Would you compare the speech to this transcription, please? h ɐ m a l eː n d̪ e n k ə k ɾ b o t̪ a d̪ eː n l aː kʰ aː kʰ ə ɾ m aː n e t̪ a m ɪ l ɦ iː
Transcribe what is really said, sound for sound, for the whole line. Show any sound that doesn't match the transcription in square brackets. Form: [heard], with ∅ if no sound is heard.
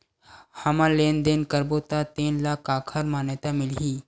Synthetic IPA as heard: h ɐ m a l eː n d̪ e n k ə [∅] ɾ b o t̪ a [t̪] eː n l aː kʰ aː kʰ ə ɾ m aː n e t̪ a m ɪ l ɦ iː